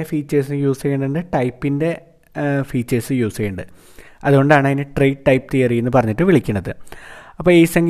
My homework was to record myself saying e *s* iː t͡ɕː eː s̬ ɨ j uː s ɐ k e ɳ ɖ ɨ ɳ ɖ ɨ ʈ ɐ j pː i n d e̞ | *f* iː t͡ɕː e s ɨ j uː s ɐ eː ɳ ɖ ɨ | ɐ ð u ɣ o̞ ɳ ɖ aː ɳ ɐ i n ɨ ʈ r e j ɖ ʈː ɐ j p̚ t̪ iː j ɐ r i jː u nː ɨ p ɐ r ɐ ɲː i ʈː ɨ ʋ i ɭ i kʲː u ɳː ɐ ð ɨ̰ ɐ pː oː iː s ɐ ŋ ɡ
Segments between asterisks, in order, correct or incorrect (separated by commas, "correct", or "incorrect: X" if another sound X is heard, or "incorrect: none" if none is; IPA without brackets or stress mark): incorrect: f, correct